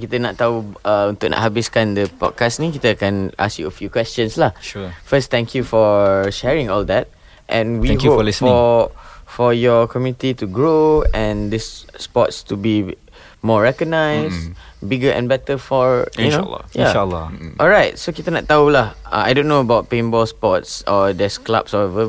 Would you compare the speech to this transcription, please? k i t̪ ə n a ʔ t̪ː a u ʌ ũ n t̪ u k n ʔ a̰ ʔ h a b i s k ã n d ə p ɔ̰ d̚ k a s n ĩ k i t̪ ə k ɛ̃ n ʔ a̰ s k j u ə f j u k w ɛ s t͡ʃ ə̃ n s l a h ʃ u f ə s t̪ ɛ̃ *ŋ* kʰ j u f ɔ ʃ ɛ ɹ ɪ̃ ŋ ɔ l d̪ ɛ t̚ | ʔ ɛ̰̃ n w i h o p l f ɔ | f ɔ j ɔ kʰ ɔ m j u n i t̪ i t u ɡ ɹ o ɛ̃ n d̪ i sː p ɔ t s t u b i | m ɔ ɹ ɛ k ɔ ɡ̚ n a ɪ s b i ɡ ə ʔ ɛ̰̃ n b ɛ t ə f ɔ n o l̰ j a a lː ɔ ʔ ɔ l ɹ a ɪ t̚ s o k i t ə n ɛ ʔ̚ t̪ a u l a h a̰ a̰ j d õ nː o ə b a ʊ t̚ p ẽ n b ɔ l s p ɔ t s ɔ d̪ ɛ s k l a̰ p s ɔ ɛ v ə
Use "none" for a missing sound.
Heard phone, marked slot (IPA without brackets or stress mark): ŋ